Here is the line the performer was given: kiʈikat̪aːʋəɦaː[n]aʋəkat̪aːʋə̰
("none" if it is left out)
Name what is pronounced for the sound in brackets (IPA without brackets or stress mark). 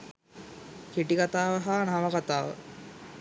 n